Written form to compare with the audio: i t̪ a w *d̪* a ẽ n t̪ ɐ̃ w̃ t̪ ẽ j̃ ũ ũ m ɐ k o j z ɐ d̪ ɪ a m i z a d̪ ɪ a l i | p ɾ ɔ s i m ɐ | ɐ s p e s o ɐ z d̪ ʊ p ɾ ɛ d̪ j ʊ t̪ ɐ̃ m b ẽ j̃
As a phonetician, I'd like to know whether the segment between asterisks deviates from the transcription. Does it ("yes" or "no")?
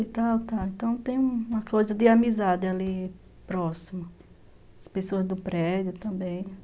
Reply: yes